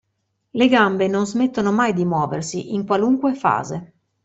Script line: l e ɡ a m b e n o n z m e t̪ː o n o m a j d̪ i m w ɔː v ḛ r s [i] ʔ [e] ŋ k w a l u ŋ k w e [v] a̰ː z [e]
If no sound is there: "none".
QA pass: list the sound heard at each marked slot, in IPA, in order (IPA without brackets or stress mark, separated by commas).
i, i, f, e